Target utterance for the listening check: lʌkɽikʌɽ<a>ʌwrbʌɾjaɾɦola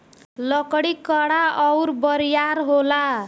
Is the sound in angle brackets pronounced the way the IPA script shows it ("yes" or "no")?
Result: yes